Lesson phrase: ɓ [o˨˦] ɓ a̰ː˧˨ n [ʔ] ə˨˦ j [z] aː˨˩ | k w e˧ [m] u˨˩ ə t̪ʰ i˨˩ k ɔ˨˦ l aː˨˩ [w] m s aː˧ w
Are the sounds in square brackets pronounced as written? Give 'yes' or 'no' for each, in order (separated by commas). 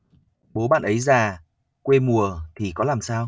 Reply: yes, yes, yes, yes, no